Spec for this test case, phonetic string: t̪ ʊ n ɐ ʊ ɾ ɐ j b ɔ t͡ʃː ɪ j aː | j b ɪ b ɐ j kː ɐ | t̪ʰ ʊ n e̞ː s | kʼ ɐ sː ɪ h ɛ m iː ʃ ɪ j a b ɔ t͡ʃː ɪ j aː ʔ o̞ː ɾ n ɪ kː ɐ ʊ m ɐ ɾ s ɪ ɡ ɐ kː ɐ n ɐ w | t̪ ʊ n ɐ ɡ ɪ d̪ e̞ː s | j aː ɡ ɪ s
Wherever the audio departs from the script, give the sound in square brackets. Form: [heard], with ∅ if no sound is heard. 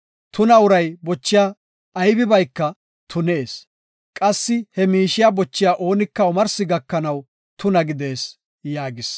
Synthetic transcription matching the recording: t̪ ʊ n ɐ ʊ ɾ ɐ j b ɔ t͡ʃː ɪ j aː | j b ɪ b ɐ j kː ɐ | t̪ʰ ʊ n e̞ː s | kʼ ɐ sː ɪ h ɛ m iː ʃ ɪ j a b ɔ t͡ʃː ɪ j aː ʔ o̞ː [∅] n ɪ kː ɐ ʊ m ɐ ɾ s ɪ ɡ ɐ kː ɐ n ɐ w | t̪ ʊ n ɐ ɡ ɪ d̪ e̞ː s | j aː ɡ ɪ s